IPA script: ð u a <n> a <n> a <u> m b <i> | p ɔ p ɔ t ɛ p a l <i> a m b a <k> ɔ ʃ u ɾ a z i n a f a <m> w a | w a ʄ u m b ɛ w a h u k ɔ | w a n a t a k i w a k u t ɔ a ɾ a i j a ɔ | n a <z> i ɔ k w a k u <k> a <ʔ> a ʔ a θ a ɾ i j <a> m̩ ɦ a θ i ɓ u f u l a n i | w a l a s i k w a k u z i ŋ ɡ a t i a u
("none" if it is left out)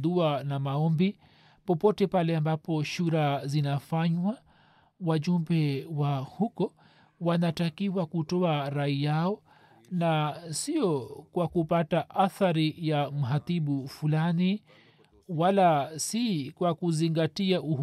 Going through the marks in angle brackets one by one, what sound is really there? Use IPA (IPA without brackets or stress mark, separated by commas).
n, m, ɔ, i, ɛ, p, ɲ, s, p, t, a